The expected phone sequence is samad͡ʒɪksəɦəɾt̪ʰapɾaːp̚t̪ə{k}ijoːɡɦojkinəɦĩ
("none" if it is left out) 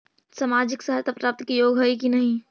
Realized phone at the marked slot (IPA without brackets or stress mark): k